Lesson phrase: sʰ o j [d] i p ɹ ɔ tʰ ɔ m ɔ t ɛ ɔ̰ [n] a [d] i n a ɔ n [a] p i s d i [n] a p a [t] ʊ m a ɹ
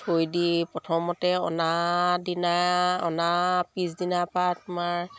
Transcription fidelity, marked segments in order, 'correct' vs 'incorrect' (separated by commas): correct, correct, correct, correct, correct, correct